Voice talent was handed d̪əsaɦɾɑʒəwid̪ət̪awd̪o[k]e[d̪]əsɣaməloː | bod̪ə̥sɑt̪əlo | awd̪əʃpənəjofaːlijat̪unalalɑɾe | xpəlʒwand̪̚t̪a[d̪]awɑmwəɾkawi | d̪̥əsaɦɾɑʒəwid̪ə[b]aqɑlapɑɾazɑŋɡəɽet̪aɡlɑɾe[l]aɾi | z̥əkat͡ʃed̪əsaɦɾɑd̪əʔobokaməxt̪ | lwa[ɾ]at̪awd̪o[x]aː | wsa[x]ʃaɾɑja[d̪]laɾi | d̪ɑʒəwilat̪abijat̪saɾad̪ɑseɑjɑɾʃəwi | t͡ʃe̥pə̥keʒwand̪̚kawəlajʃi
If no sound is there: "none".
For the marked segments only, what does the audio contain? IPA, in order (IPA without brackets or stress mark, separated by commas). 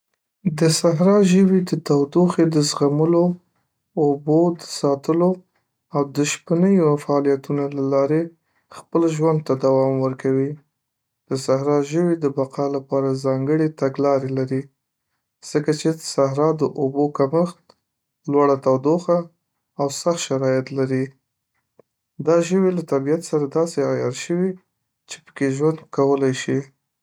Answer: x, d̪, d̪, b, l, ɽ, x, x, t̪